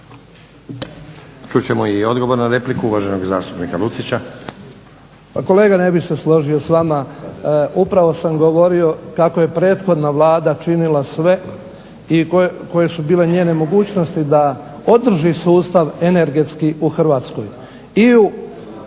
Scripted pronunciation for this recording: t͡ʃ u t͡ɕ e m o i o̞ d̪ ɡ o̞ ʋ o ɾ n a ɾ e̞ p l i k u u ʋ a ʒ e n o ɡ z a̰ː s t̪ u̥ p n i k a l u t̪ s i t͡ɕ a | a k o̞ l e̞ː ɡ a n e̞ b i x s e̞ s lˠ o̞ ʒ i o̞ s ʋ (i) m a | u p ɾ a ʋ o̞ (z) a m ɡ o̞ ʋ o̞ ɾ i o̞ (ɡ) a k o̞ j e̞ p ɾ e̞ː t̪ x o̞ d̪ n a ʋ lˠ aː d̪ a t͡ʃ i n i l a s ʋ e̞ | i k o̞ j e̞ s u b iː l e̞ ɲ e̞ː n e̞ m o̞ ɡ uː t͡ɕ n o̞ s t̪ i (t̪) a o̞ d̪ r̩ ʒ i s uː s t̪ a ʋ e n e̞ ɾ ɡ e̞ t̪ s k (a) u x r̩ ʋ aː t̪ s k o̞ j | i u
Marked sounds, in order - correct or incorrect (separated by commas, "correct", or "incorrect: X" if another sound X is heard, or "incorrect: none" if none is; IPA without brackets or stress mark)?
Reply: incorrect: a, incorrect: s, incorrect: k, incorrect: d̪, incorrect: i